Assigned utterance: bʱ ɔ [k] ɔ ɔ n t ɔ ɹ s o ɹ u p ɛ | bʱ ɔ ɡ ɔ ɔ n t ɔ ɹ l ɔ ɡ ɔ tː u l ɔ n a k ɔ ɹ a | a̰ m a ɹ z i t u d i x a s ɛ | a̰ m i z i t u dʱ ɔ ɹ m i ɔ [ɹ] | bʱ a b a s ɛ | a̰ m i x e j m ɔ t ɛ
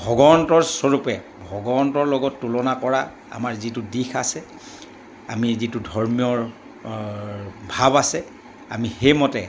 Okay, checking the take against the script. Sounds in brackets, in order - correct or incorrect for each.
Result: incorrect, correct

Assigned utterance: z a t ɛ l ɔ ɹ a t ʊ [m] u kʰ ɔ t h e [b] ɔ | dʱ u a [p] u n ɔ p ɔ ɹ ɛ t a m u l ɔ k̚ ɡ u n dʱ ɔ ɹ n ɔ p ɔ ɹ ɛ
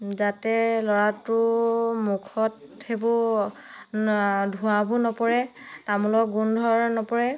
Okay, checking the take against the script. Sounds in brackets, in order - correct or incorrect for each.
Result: correct, correct, incorrect

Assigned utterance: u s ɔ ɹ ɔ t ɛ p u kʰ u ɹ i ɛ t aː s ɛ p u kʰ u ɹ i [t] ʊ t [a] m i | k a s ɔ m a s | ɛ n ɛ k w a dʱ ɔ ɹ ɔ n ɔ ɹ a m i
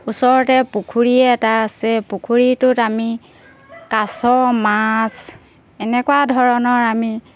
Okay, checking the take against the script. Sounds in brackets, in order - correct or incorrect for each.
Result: correct, correct

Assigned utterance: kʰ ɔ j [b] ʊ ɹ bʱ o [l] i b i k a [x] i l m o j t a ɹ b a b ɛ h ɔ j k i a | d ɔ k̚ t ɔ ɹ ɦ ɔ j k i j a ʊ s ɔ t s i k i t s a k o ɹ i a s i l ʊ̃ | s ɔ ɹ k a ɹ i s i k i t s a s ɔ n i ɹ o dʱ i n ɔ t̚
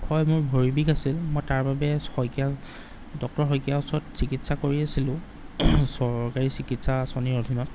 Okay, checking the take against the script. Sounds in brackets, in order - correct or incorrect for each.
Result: incorrect, incorrect, incorrect

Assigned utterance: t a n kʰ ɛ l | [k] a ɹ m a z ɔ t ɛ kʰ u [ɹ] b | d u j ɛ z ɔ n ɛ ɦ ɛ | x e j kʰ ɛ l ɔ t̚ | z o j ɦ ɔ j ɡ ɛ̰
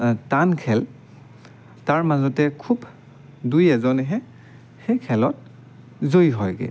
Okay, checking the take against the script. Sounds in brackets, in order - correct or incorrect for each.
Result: incorrect, incorrect

